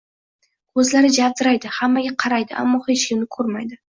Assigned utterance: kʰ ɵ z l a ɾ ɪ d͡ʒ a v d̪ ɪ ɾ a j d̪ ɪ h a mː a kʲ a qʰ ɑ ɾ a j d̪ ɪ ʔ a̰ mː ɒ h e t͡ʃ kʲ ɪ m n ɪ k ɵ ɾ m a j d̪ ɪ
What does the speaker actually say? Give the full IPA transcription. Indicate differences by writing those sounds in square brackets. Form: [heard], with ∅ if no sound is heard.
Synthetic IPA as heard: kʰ ɵ z l a ɾ ɪ d͡ʒ a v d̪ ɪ ɾ a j d̪ ɪ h a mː a [ɡʲ] a qʰ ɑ ɾ a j d̪ ɪ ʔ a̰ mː ɒ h e t͡ʃ kʲ ɪ m n ɪ [kʰ] ɵ ɾ m a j d̪ ɪ